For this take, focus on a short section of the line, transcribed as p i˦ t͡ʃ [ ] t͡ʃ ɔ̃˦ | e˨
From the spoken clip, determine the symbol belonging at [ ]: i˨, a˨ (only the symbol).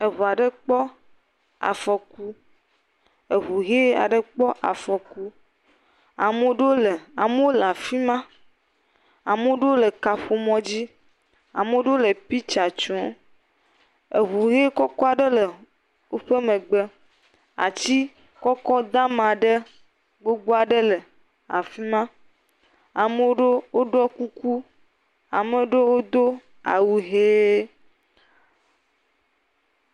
a˨